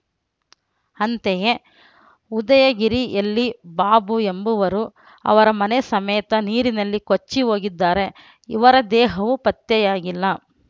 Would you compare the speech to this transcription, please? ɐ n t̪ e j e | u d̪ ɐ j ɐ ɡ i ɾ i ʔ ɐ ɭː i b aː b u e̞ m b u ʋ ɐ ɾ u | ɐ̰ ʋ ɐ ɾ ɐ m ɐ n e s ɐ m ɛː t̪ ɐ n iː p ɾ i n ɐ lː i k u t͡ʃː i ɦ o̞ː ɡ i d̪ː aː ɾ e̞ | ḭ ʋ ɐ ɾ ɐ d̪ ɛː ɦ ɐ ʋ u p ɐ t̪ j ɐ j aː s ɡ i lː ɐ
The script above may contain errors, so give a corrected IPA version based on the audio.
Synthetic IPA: ɐ n t̪ e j e | u d̪ ɐ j ɐ ɡ i ɾ i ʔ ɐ lː i b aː b u e̞ m b u ʋ ɐ ɾ u | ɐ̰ ʋ ɐ ɾ ɐ m ɐ n e s ɐ m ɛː t̪ ɐ n iː ɾ i n ɐ lː i k o t͡ʃː i ɦ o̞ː ɡ i d̪ː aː ɾ e̞ | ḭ ʋ ɐ ɾ ɐ d̪ ɛː ɦ ɐ ʋ u p ɐ t̪ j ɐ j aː ɡ i lː ɐ